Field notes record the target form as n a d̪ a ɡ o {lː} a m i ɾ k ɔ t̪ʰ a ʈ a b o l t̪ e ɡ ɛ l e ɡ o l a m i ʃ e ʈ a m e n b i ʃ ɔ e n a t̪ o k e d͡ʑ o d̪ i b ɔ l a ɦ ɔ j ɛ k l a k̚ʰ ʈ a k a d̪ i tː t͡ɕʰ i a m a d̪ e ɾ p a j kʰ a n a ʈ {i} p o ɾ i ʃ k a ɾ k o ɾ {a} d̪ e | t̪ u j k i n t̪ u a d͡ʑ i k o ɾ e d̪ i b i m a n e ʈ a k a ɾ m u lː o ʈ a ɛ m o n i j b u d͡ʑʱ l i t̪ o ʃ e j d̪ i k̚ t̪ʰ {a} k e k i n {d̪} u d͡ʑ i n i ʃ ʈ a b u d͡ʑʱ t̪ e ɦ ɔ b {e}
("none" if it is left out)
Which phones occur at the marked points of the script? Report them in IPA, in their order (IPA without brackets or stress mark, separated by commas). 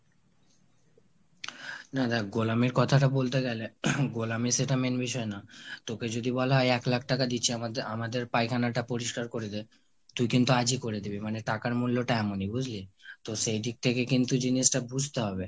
l, a, e, e, t̪, e